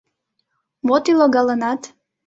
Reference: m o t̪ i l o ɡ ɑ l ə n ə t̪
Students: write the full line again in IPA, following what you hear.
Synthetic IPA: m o t̪ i l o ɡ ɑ l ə n ɑ t̪